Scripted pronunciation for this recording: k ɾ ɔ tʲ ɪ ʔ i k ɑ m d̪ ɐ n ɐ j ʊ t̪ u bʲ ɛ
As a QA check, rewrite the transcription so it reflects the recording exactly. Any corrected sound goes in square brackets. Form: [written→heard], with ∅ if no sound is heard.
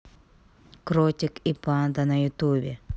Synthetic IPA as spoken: k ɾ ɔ tʲ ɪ [ʔ→k] i [k→p] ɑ [m→n] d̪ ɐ n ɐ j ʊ t̪ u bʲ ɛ